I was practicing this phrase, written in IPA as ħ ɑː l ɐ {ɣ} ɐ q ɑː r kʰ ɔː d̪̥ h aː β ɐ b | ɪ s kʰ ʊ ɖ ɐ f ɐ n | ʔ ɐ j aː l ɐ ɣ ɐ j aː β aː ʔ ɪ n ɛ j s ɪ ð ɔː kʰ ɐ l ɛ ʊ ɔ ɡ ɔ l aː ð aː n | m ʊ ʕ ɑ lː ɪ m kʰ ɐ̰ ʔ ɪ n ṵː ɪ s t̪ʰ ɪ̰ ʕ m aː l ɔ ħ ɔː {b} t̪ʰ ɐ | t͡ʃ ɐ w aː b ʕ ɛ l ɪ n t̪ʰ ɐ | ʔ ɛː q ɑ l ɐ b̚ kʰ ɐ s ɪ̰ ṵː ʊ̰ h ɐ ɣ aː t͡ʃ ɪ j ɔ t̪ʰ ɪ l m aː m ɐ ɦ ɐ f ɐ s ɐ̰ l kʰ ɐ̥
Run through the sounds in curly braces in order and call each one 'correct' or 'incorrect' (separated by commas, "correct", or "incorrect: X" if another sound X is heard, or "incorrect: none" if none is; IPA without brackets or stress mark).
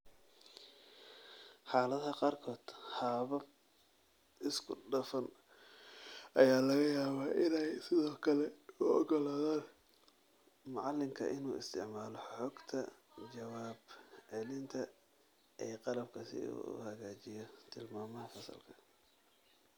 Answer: incorrect: ð, incorrect: ɡ